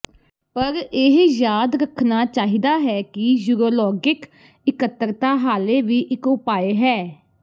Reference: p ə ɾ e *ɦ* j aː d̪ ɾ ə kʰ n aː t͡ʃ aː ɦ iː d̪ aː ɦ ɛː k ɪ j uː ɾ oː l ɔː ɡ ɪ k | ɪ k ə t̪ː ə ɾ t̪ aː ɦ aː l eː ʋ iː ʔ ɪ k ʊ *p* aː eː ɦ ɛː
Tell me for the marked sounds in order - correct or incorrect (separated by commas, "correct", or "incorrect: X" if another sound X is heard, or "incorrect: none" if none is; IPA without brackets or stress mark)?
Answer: correct, correct